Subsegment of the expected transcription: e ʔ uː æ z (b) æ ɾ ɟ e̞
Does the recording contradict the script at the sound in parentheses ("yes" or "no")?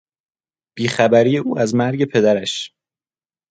yes